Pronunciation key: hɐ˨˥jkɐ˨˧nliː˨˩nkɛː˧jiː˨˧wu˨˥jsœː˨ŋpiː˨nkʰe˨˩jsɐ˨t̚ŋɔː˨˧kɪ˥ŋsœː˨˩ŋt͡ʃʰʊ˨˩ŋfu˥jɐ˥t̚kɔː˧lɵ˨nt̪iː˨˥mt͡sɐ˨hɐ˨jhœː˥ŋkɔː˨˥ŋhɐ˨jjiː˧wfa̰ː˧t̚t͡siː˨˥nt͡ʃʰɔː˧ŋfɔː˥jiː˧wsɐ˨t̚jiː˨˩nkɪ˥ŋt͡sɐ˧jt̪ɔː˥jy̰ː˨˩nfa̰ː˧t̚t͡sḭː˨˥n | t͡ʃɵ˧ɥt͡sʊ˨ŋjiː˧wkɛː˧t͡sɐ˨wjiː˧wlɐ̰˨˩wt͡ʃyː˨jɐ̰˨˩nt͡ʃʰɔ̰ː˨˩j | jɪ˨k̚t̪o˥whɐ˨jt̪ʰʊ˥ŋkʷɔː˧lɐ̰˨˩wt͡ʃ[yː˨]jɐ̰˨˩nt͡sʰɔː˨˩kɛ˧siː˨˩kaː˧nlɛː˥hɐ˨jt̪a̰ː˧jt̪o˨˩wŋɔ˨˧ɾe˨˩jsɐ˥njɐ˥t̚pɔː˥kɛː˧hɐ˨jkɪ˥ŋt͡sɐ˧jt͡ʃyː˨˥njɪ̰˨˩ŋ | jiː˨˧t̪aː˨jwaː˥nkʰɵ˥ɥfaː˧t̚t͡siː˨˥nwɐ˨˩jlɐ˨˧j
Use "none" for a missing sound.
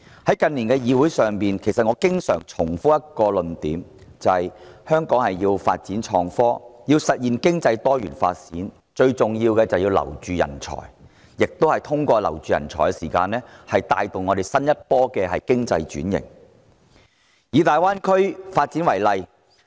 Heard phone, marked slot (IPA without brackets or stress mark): yː˨